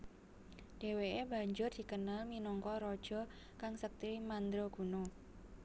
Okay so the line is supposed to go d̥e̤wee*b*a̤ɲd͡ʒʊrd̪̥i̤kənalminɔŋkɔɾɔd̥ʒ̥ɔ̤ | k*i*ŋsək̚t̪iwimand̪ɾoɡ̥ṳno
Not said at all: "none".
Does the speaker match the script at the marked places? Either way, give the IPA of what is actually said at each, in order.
b, a

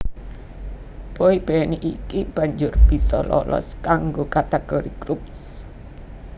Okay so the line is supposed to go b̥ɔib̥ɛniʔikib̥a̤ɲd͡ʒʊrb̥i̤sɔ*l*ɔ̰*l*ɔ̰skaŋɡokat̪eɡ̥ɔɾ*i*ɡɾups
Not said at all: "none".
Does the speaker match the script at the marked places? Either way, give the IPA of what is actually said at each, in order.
l, l, i

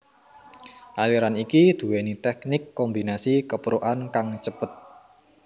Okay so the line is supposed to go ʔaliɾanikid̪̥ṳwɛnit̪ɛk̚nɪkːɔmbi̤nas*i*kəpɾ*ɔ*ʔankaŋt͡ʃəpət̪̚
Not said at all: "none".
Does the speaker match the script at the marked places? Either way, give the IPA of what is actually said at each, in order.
i, o

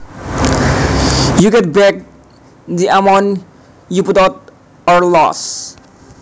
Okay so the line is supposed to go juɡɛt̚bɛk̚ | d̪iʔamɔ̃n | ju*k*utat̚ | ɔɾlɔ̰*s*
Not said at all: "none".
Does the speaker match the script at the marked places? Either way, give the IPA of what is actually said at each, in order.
p, s

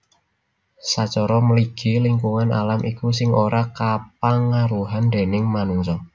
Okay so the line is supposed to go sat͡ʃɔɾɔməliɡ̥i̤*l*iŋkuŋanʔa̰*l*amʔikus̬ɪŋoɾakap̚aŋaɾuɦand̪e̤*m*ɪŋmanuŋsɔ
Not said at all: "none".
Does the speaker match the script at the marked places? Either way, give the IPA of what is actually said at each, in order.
l, l, n

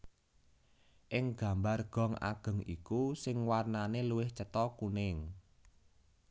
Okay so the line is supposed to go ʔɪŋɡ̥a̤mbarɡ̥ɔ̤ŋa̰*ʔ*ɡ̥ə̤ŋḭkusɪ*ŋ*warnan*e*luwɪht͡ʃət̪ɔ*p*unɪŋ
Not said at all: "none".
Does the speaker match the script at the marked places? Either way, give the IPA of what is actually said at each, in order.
none, ŋ, e, k

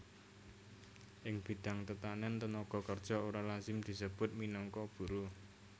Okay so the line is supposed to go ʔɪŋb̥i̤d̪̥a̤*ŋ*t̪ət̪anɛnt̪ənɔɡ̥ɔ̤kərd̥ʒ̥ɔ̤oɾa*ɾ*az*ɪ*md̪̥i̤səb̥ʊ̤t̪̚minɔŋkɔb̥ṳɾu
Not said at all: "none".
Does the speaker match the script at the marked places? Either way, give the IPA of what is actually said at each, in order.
ŋ, l, ɪ

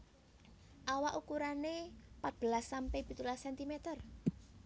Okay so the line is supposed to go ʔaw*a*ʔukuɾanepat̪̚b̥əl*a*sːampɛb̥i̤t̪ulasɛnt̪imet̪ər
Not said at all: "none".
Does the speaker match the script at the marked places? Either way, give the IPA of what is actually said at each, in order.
a, a

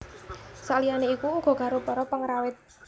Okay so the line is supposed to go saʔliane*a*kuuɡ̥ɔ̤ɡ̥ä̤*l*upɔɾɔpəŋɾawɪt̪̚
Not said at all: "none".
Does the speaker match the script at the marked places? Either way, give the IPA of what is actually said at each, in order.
i, ɾ

